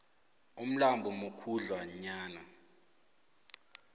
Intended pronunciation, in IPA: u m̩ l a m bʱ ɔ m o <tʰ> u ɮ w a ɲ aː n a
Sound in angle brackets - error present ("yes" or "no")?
yes